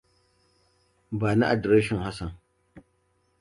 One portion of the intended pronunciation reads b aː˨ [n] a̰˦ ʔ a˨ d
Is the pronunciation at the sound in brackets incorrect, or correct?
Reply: correct